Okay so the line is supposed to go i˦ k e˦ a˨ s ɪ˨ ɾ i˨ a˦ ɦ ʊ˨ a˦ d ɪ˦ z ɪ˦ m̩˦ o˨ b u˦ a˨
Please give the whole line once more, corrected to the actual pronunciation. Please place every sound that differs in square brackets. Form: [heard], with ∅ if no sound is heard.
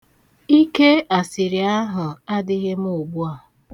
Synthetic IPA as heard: i˦ k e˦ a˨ s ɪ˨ ɾ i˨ a˦ ɦ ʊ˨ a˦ d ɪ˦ [ɣ] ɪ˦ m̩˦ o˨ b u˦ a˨